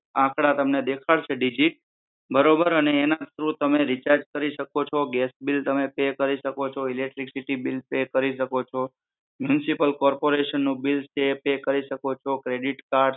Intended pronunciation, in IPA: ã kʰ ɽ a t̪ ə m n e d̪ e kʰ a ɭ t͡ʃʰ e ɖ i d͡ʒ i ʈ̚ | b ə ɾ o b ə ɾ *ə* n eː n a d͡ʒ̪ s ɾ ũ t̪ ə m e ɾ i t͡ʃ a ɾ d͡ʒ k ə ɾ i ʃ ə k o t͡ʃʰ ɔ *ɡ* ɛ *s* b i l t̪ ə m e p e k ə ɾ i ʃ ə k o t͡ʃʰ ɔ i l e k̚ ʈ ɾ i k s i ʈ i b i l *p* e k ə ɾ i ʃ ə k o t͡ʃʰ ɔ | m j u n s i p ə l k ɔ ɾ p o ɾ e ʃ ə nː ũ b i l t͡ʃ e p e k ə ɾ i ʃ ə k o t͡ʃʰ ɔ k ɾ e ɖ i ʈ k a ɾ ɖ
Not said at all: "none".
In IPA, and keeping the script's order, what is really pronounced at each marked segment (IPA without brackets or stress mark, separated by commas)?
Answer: ə, ɡ, s, p